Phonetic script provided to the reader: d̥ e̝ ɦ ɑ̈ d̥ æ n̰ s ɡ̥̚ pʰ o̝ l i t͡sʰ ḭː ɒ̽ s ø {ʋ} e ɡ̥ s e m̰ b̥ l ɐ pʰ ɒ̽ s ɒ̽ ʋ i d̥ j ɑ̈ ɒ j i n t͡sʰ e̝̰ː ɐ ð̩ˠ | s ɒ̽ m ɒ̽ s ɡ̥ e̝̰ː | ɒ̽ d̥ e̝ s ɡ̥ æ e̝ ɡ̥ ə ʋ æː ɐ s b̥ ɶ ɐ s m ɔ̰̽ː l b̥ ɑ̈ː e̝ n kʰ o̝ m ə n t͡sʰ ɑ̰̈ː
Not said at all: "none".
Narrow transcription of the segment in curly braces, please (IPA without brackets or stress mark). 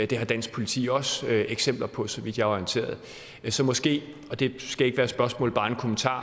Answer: none